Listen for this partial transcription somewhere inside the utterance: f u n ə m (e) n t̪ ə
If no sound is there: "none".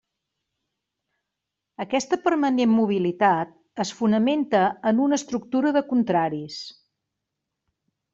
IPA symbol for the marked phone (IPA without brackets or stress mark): e